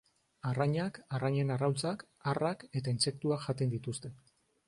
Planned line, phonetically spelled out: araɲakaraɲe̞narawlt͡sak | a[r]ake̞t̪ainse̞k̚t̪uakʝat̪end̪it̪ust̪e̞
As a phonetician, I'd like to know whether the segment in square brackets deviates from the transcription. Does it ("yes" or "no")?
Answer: no